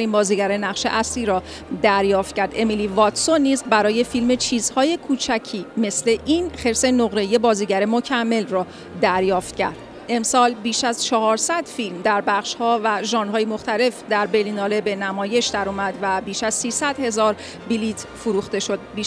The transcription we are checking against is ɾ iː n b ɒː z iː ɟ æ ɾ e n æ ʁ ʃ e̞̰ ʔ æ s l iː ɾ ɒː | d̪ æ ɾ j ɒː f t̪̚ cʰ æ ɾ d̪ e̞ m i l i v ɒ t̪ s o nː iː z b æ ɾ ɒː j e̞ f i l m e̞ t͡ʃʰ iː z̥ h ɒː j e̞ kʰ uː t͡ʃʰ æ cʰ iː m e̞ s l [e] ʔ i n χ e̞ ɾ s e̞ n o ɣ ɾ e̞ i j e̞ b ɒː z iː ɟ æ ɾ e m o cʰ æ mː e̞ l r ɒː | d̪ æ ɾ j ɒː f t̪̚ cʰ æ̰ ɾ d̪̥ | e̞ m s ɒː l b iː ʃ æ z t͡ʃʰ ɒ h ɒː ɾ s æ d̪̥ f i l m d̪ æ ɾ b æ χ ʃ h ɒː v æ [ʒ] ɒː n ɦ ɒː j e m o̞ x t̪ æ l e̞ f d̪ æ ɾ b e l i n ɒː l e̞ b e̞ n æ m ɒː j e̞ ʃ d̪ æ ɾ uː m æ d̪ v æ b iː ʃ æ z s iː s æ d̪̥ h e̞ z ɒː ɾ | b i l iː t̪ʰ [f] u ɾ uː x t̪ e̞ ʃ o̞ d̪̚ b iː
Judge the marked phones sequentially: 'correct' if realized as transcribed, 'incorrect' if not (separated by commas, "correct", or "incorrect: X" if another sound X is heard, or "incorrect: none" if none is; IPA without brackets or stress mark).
correct, correct, correct